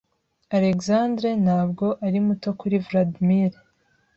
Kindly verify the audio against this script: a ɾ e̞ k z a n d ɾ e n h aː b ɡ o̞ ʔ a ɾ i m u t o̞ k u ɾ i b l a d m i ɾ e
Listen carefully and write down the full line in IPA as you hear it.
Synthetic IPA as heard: a ɾ e̞ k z a n d ɾ e n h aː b ɡ o̞ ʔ a ɾ i m u t o̞ k u ɾ i v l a d m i ɾ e